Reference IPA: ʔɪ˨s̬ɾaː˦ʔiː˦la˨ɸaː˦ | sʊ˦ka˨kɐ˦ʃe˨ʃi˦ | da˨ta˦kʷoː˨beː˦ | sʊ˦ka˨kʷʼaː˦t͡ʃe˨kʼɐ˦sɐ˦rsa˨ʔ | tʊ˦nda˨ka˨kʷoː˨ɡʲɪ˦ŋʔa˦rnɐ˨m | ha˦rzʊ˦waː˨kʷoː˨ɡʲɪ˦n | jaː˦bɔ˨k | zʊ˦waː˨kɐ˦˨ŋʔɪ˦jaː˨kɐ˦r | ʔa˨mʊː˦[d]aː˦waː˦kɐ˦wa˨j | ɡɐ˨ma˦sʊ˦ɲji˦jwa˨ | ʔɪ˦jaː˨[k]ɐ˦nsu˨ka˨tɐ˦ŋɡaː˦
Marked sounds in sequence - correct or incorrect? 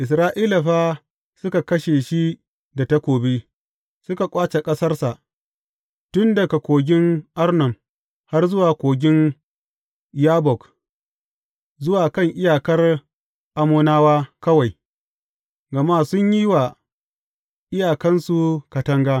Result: incorrect, correct

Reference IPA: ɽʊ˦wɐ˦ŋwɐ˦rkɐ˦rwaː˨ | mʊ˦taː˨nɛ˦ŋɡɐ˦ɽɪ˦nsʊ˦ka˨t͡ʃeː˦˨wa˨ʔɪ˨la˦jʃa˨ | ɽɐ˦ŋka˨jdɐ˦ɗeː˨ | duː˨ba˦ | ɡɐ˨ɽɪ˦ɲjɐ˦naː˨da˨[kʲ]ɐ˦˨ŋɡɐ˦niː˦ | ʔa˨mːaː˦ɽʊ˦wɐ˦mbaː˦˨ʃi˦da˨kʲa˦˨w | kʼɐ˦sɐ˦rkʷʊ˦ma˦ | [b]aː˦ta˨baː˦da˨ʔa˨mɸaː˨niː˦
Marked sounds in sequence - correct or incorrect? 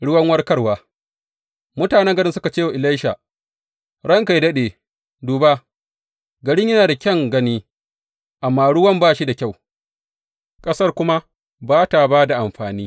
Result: correct, correct

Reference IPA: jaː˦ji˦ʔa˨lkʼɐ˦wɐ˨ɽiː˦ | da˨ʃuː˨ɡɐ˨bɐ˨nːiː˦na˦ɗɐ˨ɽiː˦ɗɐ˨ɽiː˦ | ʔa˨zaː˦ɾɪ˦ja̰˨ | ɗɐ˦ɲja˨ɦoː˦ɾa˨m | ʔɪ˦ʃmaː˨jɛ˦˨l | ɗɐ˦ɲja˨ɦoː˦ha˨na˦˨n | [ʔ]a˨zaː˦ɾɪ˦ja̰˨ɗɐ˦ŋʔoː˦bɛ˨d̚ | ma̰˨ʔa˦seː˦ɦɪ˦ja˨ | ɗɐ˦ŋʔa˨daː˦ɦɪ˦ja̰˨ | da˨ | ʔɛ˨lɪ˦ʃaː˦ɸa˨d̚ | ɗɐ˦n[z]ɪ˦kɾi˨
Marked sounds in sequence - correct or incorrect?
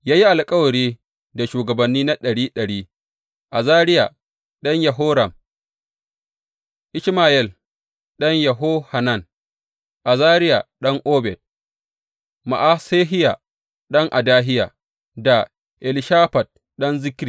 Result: correct, correct

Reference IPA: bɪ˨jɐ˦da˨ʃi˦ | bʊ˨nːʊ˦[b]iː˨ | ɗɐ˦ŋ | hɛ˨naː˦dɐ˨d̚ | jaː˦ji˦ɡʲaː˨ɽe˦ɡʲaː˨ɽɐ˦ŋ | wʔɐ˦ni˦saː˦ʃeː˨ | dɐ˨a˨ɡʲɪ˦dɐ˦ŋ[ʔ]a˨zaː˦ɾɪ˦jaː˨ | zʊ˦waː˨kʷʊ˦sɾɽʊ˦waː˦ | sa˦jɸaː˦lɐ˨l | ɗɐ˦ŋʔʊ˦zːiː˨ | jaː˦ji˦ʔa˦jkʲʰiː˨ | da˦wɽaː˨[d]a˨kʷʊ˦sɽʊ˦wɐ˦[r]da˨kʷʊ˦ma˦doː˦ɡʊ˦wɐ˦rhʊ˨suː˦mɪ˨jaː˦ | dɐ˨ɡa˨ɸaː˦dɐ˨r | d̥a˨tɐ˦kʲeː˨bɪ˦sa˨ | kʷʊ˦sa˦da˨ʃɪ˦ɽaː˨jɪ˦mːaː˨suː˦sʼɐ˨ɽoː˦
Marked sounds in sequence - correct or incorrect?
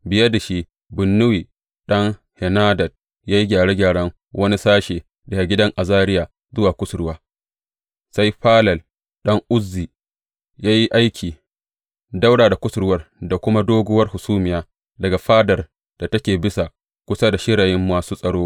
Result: incorrect, correct, correct, correct

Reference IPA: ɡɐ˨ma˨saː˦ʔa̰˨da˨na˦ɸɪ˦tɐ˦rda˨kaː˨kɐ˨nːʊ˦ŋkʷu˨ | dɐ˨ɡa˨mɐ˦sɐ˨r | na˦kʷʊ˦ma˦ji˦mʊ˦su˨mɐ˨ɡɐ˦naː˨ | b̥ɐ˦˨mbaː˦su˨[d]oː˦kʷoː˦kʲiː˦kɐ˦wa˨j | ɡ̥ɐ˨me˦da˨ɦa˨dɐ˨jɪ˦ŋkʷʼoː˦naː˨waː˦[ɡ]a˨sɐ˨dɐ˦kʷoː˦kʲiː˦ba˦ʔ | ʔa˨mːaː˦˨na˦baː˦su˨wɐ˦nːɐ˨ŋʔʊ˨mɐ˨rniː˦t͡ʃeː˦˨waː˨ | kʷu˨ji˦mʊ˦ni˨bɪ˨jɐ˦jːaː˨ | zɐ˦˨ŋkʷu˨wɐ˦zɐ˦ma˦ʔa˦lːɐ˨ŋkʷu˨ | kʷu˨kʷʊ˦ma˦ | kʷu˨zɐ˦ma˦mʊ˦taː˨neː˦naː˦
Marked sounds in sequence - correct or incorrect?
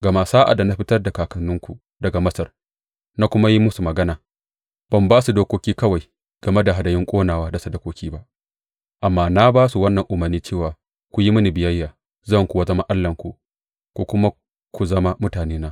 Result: correct, incorrect

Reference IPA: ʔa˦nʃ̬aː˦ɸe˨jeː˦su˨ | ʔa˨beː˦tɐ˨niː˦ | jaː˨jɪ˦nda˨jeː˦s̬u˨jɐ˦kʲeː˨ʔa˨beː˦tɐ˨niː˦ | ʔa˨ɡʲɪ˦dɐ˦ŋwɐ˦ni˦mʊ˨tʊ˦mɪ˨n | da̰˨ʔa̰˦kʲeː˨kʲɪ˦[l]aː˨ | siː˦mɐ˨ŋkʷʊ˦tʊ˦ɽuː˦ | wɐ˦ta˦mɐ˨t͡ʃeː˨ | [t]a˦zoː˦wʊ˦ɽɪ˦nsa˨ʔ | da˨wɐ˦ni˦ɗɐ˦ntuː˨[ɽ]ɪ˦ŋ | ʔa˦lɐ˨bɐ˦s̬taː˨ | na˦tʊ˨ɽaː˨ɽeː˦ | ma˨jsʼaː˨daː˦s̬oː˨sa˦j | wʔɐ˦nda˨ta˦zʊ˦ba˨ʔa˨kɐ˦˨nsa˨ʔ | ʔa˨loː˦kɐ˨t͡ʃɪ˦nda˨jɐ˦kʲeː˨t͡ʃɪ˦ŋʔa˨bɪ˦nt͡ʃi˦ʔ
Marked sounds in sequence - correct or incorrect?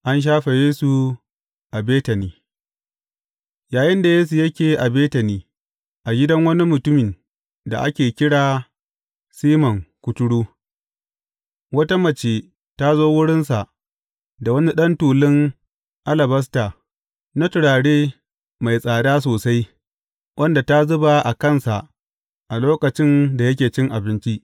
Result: incorrect, correct, incorrect

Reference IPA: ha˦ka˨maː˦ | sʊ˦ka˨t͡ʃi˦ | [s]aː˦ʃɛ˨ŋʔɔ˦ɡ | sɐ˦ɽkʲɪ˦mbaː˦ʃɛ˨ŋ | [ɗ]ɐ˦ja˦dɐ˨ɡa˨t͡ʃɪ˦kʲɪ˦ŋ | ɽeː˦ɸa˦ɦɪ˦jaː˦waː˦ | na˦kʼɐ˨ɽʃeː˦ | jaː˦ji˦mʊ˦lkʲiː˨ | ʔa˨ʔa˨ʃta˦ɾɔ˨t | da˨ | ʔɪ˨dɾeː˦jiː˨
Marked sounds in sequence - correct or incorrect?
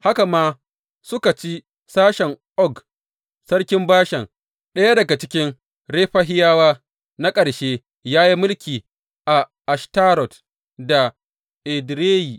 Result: correct, correct

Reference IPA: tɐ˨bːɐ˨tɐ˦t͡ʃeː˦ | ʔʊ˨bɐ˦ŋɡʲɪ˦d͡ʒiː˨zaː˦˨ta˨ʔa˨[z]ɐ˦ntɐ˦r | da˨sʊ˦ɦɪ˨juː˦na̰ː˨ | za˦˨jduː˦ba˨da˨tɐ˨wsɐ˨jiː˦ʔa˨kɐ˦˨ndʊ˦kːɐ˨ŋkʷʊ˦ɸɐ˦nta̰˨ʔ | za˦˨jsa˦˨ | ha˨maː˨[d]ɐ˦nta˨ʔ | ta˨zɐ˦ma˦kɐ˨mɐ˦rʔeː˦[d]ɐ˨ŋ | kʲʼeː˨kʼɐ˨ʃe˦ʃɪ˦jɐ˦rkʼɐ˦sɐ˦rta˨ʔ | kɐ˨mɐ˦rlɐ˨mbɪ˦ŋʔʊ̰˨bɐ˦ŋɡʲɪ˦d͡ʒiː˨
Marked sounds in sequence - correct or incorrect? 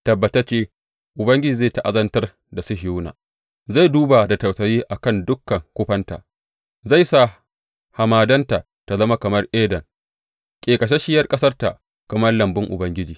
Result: correct, correct, correct

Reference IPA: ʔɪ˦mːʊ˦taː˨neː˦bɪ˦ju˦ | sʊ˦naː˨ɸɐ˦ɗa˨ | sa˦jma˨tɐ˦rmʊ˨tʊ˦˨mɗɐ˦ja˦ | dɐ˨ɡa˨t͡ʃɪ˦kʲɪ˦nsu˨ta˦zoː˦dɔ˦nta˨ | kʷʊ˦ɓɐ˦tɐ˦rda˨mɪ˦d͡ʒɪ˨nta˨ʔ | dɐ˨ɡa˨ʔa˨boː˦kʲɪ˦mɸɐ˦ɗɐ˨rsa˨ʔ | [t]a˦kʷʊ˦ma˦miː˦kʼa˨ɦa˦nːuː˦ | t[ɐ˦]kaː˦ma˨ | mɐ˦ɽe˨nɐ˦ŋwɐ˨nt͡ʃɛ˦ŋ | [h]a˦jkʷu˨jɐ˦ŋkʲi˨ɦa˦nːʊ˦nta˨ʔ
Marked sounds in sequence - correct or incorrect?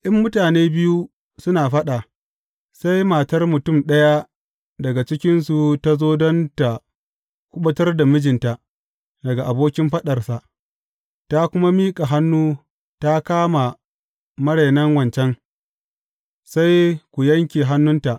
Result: correct, incorrect, incorrect

